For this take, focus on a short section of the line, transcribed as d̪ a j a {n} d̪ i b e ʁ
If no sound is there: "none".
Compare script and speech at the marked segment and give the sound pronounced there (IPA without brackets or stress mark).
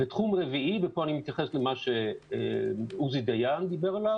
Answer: n